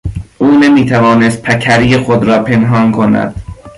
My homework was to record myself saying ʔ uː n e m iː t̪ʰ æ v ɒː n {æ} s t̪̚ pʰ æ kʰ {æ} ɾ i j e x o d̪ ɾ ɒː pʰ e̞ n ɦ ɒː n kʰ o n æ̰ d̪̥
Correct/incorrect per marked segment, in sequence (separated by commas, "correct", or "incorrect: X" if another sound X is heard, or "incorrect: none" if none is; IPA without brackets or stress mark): incorrect: e, correct